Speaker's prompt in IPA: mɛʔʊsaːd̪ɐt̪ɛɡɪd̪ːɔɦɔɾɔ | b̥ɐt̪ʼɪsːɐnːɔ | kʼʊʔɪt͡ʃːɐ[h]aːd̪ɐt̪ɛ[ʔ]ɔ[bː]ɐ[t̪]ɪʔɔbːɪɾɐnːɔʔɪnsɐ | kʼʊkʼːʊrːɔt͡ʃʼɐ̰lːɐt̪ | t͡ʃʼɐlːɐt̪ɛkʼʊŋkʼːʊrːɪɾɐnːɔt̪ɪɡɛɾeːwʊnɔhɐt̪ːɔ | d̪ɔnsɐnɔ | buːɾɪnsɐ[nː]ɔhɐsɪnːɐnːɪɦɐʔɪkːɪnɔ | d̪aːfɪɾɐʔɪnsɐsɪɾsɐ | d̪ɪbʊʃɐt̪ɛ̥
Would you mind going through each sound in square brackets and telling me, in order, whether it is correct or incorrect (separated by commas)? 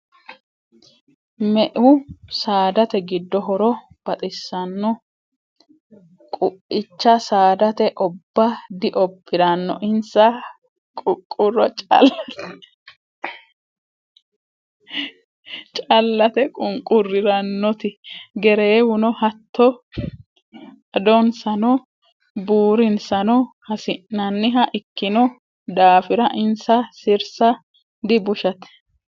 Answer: incorrect, correct, correct, incorrect, incorrect